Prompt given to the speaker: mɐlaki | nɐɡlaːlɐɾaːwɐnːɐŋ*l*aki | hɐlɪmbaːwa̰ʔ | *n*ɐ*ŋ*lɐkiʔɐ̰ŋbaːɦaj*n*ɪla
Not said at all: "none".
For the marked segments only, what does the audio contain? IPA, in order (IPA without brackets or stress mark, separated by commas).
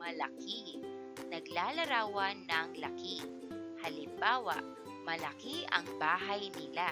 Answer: l, m, none, n